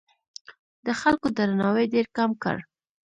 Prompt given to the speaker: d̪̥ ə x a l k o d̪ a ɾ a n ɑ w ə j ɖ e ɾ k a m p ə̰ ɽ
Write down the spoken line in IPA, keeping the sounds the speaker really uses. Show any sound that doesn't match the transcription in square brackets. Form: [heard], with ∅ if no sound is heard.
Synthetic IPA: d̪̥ ə x a l k o d̪ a ɾ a n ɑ w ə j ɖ e ɾ k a m [k] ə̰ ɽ